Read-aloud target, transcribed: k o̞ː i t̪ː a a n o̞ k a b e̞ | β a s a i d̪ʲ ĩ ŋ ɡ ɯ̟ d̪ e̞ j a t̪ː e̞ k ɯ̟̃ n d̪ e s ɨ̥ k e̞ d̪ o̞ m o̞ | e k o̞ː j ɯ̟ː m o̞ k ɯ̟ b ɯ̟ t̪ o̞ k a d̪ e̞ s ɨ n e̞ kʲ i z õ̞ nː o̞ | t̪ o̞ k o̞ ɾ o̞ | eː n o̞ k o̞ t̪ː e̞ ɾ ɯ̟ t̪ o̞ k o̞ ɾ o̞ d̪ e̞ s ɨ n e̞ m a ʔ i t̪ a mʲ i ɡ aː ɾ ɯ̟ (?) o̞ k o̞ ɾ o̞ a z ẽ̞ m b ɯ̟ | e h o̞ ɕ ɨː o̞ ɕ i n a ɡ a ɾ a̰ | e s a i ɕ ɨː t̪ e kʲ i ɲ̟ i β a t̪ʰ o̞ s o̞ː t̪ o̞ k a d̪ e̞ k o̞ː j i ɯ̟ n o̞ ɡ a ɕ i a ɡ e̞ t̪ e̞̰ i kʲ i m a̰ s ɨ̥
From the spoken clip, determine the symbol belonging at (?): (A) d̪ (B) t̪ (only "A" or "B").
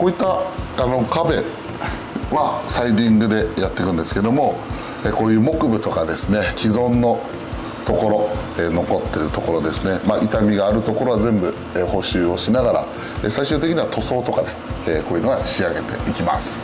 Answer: B